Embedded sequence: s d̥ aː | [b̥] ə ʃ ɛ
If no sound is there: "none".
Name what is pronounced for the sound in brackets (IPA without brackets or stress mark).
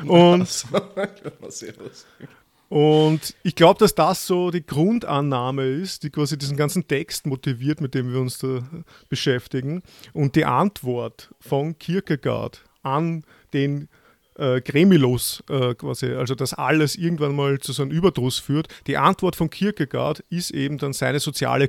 b̥